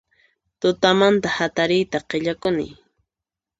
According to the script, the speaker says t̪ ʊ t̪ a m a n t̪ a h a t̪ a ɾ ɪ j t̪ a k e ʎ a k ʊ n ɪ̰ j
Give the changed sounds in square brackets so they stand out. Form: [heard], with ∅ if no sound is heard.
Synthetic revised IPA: t̪ ʊ t̪ a m a n t̪ a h a t̪ a ɾ ɪ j t̪ a [q] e ʎ a k ʊ n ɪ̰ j